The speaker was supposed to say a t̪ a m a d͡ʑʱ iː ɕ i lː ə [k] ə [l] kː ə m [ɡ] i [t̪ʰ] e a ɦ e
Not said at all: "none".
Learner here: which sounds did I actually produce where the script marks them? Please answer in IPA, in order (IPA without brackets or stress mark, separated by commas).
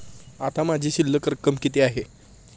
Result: k, ɾ, k, t̪